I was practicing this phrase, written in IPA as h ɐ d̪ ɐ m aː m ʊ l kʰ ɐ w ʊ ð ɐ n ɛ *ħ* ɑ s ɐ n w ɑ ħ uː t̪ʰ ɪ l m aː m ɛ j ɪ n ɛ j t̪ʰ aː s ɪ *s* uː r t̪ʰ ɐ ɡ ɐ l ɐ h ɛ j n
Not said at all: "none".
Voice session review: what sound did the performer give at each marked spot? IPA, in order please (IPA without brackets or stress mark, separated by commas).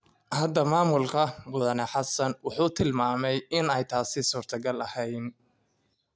ħ, s